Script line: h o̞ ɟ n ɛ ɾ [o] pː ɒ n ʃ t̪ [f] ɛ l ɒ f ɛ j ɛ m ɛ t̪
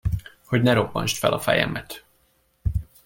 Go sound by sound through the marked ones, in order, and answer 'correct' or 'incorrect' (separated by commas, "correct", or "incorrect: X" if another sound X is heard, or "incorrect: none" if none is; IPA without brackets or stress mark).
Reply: correct, correct